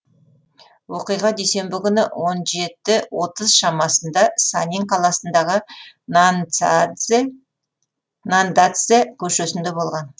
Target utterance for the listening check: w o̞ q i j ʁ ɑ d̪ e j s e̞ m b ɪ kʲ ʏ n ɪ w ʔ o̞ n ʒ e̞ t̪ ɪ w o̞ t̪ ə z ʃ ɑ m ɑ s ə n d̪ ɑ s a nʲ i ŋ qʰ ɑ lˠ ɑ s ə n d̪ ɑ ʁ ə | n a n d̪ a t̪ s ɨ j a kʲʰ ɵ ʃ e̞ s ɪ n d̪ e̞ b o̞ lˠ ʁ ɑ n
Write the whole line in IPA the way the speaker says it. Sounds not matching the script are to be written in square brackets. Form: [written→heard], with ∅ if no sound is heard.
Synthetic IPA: w o̞ q i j ʁ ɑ d̪ e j s e̞ m b ɪ kʲ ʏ n ɪ w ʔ o̞ n ʒ e̞ t̪ ɪ w o̞ t̪ ə z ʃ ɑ m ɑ s ə n d̪ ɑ s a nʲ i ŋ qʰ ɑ lˠ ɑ s ə n d̪ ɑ ʁ ə | n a n d̪ a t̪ s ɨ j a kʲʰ ɵ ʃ e̞ s ɪ n d̪ e̞ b o̞ lˠ ʁ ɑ n